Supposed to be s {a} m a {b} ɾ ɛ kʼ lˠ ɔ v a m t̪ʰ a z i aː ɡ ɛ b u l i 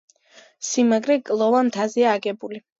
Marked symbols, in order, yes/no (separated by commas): no, no